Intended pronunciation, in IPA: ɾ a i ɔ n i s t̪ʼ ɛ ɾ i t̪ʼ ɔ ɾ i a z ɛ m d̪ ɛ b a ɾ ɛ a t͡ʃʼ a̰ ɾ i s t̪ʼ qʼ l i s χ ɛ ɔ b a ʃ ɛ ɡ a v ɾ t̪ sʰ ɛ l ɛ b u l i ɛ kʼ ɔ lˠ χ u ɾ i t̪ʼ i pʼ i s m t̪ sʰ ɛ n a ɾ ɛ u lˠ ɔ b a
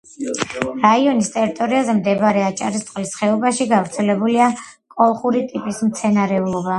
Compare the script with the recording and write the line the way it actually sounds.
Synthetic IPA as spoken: ɾ a i ɔ n i s t̪ʼ ɛ ɾ i t̪ʼ ɔ ɾ i a z ɛ m d̪ ɛ b a ɾ ɛ a t͡ʃʼ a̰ ɾ i s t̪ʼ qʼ l i s χ ɛ ɔ b a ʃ i ɡ a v ɾ t̪ sʰ ɛ l ɛ b u l i a kʼ ɔ lˠ χ u ɾ i t̪ʼ i pʼ i s m t̪ sʰ ɛ n a ɾ ɛ u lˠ ɔ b a